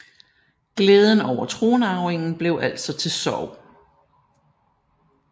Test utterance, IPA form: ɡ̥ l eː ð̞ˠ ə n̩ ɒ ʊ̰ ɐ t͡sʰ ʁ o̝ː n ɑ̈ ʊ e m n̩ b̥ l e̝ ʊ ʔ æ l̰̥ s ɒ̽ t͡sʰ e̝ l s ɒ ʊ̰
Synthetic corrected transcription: ɡ̥ l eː ð̞ˠ ə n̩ ɒ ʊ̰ ɐ t͡sʰ ʁ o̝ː n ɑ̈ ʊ e ŋ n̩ b̥ l e̝ ʊ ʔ æ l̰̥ s ɒ̽ t͡sʰ e̝ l s ɒ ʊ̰

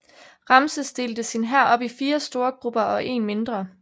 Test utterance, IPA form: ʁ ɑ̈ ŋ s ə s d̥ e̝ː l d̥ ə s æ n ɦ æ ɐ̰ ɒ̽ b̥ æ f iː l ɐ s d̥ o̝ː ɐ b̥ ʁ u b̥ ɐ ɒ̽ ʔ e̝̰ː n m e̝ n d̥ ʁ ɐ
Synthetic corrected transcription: ʁ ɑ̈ m s ə s d̥ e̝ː l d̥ ə s i n ɦ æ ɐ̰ ɒ̽ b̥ i f iː ɐ s d̥ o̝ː ɐ ɡ̥ ʁ u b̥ ɐ ɒ̽ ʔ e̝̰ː n m e̝ n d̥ ʁ ɐ

